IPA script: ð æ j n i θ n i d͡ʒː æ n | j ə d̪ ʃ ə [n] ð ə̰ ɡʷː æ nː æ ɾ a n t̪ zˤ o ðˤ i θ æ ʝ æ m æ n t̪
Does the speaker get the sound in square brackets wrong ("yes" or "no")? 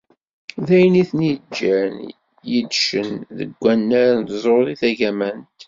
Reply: no